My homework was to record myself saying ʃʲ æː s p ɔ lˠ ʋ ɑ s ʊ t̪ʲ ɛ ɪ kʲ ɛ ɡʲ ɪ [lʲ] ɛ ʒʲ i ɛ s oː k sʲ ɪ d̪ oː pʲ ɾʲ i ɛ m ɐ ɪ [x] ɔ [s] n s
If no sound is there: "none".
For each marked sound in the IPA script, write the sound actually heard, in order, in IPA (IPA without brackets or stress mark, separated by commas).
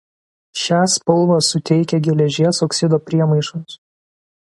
lʲ, ʃ, none